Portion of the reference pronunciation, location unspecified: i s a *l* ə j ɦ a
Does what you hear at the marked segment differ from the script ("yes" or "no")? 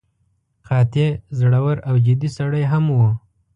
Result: yes